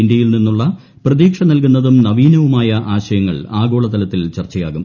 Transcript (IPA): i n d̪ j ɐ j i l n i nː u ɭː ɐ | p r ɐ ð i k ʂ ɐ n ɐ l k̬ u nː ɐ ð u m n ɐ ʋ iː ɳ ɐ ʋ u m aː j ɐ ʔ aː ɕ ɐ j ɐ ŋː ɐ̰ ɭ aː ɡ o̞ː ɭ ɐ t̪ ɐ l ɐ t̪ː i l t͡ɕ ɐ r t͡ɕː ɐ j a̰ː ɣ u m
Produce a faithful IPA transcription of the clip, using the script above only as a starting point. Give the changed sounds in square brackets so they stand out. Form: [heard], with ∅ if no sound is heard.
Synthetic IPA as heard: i n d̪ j ɐ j i l n i nː u ɭː ɐ | p r ɐ ð [iː] k ʂ ɐ n ɐ l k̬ u nː ɐ ð u m n ɐ ʋ iː [n] ɐ ʋ u m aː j ɐ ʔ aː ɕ ɐ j ɐ ŋː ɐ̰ ɭ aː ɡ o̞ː ɭ ɐ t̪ ɐ l ɐ t̪ː i l t͡ɕ ɐ r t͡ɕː ɐ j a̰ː ɣ u m